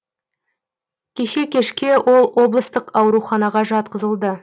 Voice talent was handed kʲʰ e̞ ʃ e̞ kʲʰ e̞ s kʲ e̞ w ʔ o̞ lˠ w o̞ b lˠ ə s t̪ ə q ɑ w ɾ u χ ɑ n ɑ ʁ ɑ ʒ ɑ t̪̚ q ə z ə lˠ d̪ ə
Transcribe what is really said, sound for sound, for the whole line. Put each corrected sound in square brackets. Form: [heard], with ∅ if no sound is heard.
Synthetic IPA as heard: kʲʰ e̞ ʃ e̞ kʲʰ e̞ [ʃ] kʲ e̞ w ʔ o̞ lˠ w o̞ b lˠ ə s t̪ ə q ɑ w ɾ u χ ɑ n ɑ ʁ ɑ ʒ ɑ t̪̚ q ə z ə lˠ d̪ ə